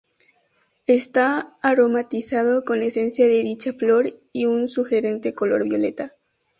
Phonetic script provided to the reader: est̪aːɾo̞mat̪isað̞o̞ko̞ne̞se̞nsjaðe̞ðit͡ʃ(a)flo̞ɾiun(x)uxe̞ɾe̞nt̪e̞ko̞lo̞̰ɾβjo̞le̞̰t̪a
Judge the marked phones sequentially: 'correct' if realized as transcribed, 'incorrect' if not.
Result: correct, incorrect: s

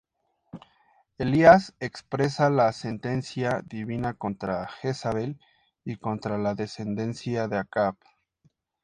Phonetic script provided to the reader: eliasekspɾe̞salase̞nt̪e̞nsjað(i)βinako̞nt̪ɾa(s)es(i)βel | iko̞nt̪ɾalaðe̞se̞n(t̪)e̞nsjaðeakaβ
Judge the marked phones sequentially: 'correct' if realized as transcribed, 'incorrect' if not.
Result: correct, incorrect: x, incorrect: a, incorrect: d̪

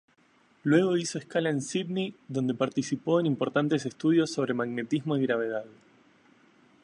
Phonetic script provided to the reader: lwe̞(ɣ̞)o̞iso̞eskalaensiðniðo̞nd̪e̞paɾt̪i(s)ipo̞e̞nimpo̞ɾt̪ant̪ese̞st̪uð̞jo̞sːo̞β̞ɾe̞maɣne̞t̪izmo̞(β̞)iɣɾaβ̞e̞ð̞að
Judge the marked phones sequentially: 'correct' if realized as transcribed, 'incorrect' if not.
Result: correct, correct, incorrect: none

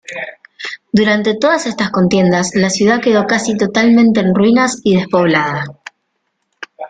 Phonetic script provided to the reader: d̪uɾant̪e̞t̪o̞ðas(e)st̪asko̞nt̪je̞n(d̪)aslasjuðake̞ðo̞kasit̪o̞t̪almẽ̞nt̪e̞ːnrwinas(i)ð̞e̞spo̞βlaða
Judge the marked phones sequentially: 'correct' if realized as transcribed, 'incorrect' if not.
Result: correct, correct, correct

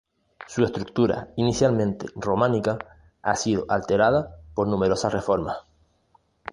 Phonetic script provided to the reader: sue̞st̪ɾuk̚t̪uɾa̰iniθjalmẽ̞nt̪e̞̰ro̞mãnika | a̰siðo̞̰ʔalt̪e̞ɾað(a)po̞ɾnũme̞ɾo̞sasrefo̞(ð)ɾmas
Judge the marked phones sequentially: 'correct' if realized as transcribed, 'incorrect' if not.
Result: correct, incorrect: none

